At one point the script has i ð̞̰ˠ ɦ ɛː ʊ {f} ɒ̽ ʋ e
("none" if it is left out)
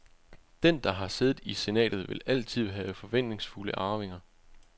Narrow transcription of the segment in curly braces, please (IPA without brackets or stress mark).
f